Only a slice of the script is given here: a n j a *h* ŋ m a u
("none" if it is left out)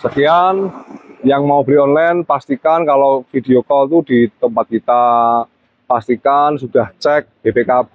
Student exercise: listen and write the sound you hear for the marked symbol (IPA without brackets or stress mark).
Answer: none